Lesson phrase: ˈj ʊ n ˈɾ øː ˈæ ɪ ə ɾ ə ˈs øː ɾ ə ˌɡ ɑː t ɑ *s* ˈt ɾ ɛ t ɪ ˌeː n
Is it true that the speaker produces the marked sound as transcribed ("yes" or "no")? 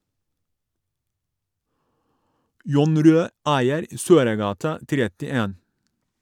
no